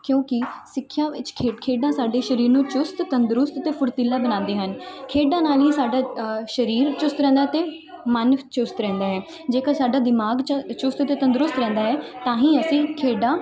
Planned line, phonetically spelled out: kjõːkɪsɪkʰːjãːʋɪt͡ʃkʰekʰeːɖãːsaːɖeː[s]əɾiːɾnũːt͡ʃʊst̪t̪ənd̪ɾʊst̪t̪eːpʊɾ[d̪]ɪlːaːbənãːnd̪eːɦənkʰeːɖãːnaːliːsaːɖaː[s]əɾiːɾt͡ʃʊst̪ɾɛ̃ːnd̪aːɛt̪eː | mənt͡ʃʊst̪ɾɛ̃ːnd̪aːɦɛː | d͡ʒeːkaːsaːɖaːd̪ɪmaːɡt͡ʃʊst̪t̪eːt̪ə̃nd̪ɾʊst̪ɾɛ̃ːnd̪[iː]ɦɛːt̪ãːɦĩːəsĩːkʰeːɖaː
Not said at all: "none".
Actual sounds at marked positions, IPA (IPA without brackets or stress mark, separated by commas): ʃ, t̪, ʃ, aː